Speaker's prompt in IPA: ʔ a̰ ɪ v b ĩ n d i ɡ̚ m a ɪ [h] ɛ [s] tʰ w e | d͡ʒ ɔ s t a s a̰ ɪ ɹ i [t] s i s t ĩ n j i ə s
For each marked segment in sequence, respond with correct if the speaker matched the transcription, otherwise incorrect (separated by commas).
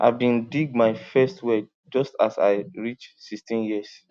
incorrect, correct, incorrect